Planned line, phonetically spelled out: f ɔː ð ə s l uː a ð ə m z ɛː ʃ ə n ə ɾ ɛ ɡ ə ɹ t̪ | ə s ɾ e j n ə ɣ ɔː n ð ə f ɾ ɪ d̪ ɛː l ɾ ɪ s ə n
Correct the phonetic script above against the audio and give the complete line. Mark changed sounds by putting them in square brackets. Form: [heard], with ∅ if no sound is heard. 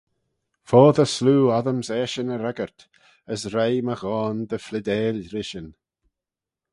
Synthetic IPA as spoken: f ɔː ð ə s l uː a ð ə m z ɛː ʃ ə n ə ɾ ɛ ɡ ə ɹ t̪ | ə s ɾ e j [m] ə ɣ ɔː n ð ə f [l] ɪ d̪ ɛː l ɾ ɪ [ʃ] ə n